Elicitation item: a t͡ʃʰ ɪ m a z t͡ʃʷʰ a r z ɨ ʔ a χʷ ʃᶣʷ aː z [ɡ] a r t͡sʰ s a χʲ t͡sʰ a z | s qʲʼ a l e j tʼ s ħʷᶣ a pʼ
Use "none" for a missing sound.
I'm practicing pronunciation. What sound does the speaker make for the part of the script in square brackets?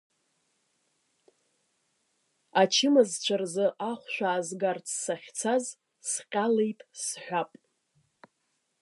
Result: ɡ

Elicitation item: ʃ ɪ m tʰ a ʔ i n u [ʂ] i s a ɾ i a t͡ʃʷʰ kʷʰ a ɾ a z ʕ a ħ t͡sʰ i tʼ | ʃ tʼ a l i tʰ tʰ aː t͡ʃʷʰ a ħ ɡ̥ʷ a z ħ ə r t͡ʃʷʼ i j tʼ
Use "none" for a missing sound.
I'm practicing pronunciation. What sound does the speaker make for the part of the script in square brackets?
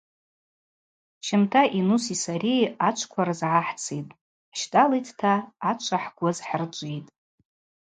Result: s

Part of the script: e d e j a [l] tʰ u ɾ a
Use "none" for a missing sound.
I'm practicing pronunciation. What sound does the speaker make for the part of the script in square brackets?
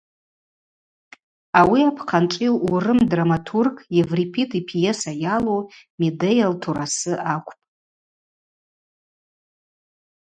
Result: l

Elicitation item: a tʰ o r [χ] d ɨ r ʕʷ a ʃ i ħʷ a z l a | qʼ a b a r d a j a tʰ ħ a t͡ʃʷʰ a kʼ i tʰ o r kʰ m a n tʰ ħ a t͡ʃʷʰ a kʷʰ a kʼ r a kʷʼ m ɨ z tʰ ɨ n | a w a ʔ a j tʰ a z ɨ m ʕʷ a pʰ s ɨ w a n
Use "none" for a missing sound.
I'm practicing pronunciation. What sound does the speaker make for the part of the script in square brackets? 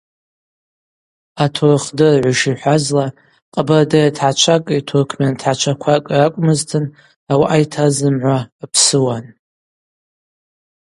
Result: χ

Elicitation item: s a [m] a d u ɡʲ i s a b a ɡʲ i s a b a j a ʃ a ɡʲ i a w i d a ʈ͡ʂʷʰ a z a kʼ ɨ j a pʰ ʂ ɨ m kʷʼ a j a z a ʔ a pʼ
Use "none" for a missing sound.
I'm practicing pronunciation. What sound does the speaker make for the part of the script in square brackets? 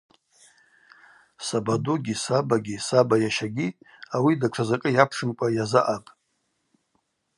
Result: b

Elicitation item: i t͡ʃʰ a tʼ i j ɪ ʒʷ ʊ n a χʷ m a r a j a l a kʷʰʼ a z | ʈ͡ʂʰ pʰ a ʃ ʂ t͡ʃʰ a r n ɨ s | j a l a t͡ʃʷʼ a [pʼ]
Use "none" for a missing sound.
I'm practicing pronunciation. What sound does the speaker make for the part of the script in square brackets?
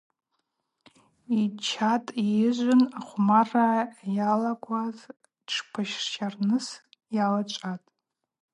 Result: tʼ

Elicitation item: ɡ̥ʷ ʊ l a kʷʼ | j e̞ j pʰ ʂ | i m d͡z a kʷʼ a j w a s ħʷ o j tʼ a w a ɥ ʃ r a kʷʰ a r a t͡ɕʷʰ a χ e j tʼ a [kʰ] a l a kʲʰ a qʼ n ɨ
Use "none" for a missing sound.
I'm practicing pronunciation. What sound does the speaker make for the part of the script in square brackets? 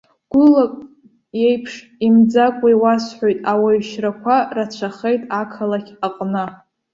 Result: kʰ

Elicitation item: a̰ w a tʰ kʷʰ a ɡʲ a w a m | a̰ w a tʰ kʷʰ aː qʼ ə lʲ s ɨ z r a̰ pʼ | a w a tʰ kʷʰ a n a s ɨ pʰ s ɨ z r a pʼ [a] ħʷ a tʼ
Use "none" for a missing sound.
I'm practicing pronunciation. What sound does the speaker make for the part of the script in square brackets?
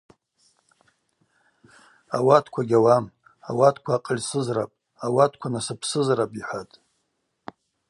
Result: i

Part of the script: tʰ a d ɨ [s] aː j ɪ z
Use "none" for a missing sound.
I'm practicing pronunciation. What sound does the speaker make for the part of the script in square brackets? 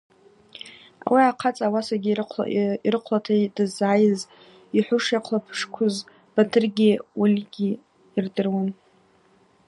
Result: z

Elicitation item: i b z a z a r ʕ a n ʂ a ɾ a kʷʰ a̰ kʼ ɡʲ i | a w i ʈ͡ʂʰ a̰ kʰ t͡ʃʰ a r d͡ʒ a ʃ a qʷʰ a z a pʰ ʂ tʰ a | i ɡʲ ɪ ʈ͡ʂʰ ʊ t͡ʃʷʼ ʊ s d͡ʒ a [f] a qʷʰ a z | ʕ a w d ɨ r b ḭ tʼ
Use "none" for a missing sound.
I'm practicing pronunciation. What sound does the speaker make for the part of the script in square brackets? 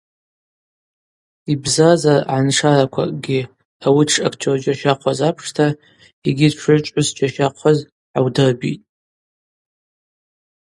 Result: ʃ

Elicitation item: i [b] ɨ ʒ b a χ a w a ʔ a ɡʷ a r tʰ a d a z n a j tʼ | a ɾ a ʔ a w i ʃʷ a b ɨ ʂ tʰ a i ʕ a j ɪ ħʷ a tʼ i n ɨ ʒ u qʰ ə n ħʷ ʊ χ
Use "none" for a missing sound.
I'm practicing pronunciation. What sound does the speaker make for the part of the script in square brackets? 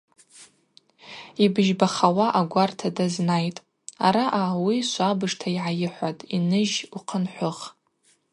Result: b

